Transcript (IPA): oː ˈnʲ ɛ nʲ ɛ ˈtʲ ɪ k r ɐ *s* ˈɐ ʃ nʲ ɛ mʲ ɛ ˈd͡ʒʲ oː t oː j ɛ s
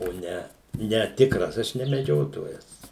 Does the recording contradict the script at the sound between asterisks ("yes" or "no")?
no